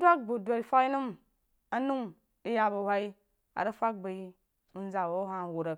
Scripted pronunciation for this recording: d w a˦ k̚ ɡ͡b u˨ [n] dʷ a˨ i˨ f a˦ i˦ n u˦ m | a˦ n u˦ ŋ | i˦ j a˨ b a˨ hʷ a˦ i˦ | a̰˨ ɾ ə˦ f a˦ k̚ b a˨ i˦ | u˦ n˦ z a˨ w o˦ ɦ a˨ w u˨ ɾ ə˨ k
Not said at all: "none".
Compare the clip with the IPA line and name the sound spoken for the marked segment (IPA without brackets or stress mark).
none